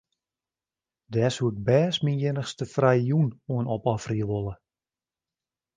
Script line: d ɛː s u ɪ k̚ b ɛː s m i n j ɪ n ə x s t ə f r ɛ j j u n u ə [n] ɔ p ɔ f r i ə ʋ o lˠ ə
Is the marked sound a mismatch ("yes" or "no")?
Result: no